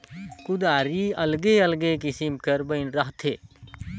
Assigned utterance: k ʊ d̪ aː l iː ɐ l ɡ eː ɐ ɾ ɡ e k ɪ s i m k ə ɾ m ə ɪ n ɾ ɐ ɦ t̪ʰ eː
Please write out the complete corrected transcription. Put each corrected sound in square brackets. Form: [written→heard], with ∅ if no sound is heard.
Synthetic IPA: k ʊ d̪ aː [l→ɾ] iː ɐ l ɡ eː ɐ [ɾ→l] ɡ e k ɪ s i m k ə ɾ [m→b] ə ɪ n ɾ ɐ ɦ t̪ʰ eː